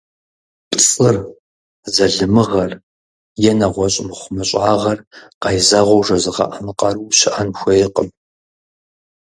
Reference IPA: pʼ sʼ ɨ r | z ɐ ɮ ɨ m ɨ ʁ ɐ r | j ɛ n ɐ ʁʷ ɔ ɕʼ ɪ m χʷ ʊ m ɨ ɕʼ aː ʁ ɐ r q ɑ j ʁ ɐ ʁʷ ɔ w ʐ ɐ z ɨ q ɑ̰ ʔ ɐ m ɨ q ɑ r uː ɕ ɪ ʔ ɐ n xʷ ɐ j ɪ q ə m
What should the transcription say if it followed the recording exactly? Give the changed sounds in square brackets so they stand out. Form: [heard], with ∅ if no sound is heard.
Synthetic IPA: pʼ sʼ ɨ r | z ɐ ɮ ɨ m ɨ ʁ ɐ r | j ɛ n ɐ ʁʷ ɔ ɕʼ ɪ m χʷ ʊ m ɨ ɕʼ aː ʁ ɐ r q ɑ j [z] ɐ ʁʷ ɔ w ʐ ɐ z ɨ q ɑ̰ ʔ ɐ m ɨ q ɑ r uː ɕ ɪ ʔ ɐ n xʷ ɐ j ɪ q ə m